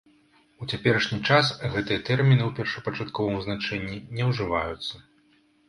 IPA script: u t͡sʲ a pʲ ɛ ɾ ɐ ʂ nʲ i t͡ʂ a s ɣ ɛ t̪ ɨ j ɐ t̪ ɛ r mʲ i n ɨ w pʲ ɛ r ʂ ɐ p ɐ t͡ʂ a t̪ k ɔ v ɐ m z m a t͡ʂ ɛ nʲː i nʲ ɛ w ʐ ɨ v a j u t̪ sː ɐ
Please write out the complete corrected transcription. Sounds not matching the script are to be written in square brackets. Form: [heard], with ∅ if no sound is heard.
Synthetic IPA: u t͡sʲ a pʲ ɛ ɾ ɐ ʂ nʲ i t͡ʂ a s ɣ ɛ t̪ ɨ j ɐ t̪ ɛ r mʲ i n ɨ w pʲ ɛ r ʂ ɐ p ɐ t͡ʂ a t̪ k ɔ v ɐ m z [n] a t͡ʂ ɛ nʲː i nʲ ɛ w ʐ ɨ v a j u t̪ sː ɐ